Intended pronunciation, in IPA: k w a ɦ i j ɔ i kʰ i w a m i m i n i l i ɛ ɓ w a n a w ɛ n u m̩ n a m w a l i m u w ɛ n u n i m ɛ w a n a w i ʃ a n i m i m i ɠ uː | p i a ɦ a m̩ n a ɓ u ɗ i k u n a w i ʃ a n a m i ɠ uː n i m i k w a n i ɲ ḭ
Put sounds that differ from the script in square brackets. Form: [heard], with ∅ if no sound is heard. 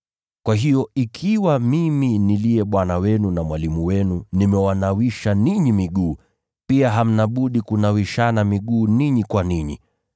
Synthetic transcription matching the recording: k w a ɦ i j ɔ i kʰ i w a m i m i n i l i ɛ ɓ w a n a w ɛ n u [∅] n a m w a l i m u w ɛ n u n i m ɛ w a n a w i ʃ a n i [ɲ] i m i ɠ uː | p i a ɦ a m̩ n a ɓ u ɗ i k u n a w i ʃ a n a m i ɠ uː n i [ɲ] i k w a n i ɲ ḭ